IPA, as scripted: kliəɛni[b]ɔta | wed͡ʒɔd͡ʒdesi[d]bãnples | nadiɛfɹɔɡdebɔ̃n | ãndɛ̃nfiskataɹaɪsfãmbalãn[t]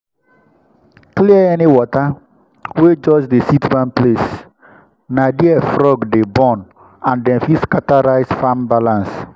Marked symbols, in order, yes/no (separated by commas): no, no, no